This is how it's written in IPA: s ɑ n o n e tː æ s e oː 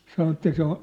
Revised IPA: s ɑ n o e tː æ s e o